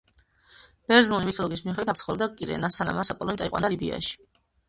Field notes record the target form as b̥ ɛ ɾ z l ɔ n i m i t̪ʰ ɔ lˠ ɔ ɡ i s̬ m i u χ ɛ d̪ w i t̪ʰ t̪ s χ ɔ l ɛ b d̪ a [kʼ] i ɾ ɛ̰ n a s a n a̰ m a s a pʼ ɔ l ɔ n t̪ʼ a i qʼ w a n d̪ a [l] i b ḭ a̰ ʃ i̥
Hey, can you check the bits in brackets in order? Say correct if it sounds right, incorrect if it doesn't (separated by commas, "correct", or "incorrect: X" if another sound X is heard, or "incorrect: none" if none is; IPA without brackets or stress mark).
correct, correct